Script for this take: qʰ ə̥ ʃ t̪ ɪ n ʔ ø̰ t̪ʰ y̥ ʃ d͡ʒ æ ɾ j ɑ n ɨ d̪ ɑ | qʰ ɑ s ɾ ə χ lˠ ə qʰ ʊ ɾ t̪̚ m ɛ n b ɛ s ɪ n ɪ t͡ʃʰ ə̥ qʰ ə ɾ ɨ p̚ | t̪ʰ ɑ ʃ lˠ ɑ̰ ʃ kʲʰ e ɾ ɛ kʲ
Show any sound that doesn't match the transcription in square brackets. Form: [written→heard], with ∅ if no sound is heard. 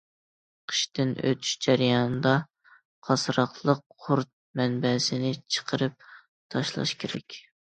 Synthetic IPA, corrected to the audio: qʰ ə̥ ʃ t̪ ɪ n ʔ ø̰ t̪ʰ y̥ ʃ d͡ʒ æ ɾ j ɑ n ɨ d̪ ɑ | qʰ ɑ s ɾ [ə→ɑ] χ lˠ ə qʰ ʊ ɾ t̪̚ m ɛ n b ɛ s ɪ n ɪ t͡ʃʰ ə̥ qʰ ə ɾ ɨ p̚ | t̪ʰ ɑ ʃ lˠ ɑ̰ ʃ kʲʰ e ɾ ɛ kʲ